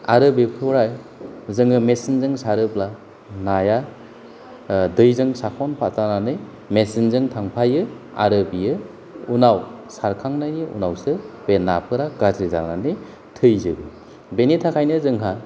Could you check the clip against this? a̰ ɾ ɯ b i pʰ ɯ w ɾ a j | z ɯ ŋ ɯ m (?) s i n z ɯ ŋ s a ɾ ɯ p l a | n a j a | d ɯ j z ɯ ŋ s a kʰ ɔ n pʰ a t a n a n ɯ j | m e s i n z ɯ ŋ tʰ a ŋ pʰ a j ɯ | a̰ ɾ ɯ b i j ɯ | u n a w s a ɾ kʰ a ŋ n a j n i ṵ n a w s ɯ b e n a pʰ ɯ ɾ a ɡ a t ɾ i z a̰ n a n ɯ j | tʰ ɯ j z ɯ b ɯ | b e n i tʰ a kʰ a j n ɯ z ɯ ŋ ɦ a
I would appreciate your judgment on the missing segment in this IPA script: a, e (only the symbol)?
e